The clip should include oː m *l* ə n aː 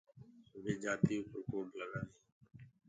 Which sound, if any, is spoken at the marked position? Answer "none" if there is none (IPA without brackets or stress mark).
l